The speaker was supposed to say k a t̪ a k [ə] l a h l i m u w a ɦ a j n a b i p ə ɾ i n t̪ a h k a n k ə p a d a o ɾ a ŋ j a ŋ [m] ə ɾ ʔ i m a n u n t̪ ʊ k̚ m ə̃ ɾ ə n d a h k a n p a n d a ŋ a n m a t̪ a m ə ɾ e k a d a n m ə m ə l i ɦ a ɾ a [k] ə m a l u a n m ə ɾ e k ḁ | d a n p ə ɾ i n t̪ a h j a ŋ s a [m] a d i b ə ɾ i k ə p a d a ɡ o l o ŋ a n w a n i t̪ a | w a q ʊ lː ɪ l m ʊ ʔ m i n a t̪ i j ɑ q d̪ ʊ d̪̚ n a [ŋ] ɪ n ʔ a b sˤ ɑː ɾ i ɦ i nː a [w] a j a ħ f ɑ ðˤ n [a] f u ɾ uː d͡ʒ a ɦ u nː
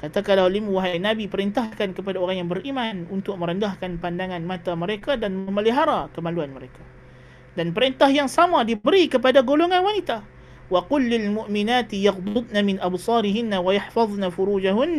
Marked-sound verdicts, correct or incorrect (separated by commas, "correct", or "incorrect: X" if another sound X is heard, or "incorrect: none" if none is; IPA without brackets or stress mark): incorrect: a, incorrect: b, correct, correct, incorrect: m, correct, correct